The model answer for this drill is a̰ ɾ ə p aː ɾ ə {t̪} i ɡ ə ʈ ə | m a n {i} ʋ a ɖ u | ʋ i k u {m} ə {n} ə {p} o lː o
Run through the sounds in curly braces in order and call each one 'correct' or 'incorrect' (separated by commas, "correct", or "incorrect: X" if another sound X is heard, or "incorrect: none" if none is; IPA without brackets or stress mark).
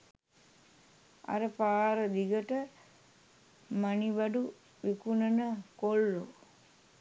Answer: incorrect: d̪, correct, incorrect: n, correct, incorrect: k